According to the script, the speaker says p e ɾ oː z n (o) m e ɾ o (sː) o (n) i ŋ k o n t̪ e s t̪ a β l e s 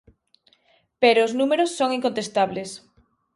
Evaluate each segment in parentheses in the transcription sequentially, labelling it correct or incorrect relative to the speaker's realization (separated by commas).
incorrect, correct, incorrect